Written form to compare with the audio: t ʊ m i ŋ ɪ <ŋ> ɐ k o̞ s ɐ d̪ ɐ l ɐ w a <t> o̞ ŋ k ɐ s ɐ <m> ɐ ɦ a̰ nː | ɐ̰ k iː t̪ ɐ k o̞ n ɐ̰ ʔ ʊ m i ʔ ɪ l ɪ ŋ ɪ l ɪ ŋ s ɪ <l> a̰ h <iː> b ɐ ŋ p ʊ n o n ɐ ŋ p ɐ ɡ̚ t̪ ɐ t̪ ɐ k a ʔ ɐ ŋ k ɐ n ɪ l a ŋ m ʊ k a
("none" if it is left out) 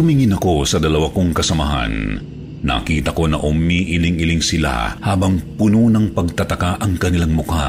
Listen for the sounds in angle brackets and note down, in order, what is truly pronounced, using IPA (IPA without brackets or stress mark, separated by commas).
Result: n, k, m, l, aː